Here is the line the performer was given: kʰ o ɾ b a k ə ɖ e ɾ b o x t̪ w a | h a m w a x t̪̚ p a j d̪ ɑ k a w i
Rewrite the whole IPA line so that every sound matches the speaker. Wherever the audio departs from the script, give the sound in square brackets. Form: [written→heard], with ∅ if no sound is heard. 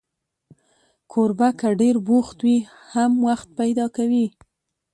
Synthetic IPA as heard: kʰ o ɾ b a k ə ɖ e ɾ b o x t̪ w [a→i] | h a m w a x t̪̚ p a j d̪ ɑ k a w i